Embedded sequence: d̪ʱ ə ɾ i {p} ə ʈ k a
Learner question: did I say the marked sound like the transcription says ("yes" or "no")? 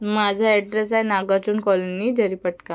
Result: yes